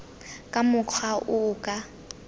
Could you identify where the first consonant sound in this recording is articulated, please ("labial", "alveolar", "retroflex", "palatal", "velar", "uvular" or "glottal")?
velar